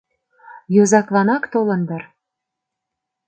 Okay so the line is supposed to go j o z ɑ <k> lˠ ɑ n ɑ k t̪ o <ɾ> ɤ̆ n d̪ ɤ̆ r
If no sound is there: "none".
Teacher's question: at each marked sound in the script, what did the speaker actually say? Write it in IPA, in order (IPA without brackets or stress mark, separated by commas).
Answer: k, l